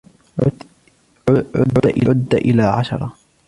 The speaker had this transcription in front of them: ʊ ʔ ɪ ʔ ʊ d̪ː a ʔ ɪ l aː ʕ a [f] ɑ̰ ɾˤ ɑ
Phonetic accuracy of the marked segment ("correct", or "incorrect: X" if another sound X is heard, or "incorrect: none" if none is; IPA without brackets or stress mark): incorrect: ʃ